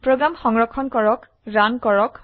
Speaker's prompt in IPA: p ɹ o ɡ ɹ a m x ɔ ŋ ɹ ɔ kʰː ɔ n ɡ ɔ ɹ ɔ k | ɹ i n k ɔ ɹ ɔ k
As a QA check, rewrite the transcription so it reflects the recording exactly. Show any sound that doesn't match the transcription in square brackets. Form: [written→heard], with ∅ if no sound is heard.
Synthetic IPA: p ɹ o ɡ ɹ a m x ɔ ŋ ɹ ɔ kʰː ɔ n [ɡ→k] ɔ ɹ ɔ k | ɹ [i→a] n k ɔ ɹ ɔ k